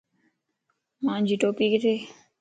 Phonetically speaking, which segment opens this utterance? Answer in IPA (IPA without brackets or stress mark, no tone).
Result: m